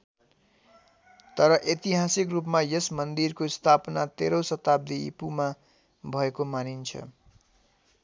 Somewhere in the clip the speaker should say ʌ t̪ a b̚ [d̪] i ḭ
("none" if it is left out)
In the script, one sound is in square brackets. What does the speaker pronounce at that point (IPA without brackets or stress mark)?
d̪